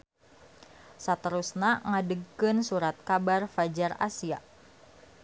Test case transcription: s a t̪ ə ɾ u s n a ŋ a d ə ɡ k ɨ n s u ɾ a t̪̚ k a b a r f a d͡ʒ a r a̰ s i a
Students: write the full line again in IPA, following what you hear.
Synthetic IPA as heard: s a t̪ ə ɾ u s n a ŋ a d ə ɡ k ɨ n s u ɾ a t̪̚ k a b a r f a d͡ʒ a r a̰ s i a